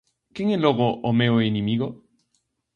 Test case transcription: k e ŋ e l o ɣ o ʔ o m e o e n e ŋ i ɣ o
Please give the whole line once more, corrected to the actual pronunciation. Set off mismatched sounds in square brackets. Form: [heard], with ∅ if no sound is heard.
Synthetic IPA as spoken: k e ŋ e l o ɣ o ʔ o m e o e n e [m] i ɣ o